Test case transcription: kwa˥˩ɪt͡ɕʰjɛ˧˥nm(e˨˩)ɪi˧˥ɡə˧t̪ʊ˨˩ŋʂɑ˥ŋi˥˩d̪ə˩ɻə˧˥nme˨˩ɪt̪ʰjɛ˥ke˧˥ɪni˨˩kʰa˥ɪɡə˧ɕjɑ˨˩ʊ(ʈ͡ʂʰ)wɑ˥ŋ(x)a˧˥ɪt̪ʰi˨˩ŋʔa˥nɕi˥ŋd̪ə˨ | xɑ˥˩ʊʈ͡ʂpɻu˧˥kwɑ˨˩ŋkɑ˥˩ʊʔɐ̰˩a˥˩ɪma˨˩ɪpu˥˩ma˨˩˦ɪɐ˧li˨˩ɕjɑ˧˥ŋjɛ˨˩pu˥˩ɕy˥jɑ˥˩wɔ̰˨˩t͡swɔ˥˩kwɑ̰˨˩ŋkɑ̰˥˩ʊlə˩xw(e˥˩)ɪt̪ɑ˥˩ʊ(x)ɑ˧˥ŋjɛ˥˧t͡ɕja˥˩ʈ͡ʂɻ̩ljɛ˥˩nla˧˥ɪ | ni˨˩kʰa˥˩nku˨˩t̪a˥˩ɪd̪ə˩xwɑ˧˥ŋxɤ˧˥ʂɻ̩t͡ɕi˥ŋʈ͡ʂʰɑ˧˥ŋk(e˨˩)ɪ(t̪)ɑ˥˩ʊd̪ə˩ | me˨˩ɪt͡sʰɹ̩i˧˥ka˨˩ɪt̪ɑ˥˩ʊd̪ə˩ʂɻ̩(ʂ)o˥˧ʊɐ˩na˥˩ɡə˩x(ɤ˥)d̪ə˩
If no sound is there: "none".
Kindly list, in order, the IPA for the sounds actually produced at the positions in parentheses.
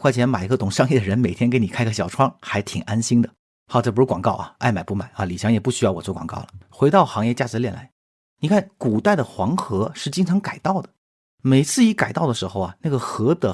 a˨˩, ʈ͡ʂʰ, x, e˧˥, x, a˨˩, t̪, x, ɤ˧˥

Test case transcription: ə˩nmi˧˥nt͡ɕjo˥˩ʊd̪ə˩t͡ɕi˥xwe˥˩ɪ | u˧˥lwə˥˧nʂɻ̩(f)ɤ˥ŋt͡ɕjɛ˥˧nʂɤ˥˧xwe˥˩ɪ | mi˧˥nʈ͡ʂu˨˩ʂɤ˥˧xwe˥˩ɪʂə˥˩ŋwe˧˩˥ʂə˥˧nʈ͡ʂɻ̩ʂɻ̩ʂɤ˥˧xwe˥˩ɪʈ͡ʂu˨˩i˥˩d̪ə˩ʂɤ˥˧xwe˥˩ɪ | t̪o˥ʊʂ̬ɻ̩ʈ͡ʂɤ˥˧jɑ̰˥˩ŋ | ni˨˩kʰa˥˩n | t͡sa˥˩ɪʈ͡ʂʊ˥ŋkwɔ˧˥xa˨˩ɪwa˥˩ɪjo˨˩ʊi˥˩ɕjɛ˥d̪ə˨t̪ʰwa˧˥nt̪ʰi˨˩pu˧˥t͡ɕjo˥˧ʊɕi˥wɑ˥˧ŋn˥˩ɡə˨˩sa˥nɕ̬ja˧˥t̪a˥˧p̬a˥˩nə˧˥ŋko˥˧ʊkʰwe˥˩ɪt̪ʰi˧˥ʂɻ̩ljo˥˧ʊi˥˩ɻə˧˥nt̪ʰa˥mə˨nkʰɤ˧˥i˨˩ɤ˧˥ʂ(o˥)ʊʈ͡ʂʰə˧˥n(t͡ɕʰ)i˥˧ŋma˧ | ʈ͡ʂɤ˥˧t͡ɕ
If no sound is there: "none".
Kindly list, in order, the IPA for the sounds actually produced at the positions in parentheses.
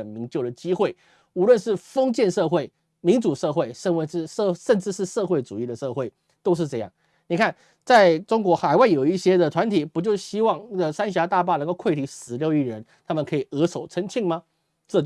f, o˨˩, t͡ɕʰ

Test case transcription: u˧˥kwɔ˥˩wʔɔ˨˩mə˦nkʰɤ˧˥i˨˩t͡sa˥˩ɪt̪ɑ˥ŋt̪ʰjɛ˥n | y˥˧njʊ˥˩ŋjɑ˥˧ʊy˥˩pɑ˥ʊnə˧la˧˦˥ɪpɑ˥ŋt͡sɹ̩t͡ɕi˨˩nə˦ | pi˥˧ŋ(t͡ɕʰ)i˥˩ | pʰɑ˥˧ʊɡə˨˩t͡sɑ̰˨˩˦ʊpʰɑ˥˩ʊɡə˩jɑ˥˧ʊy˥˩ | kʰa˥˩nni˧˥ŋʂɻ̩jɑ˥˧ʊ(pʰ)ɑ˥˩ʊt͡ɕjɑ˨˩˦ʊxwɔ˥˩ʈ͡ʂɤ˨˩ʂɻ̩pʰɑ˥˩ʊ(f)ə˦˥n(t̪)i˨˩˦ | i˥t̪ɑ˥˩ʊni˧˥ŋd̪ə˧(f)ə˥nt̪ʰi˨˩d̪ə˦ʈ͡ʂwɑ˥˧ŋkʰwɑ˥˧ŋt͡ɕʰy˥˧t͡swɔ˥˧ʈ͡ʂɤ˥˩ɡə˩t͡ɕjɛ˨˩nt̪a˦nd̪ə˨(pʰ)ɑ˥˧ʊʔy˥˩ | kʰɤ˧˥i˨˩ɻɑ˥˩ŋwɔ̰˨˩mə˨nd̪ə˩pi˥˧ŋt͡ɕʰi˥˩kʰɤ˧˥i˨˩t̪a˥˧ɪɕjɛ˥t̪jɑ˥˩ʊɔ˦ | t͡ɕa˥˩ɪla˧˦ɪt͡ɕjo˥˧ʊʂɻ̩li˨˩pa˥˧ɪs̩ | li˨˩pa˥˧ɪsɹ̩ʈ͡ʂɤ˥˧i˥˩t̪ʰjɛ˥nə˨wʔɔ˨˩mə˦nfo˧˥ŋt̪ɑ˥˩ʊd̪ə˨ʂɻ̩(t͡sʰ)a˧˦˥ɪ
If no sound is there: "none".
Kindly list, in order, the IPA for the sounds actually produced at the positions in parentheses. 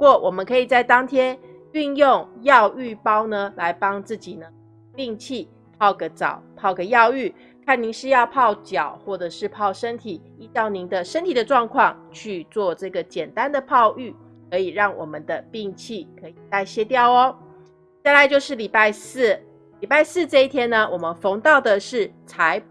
t͡ɕʰ, pʰ, ʂ, t̪ʰ, ʂ, pʰ, t͡sʰ

